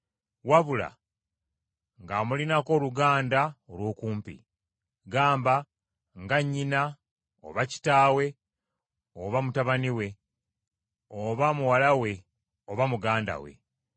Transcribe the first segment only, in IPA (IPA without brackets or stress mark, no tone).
w